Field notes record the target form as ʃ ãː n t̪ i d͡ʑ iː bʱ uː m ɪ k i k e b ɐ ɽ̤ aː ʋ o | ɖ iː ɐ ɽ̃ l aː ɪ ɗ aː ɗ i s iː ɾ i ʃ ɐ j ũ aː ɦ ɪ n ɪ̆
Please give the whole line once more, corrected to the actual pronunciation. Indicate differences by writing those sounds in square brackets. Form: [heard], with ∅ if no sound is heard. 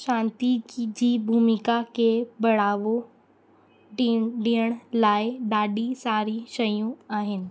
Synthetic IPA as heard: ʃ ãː n t̪ i d͡ʑ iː bʱ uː m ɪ k [a] k e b ɐ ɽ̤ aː ʋ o | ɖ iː [ə] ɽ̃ l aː ɪ ɗ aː ɗ i s [aː] ɾ i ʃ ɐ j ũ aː ɦ ɪ n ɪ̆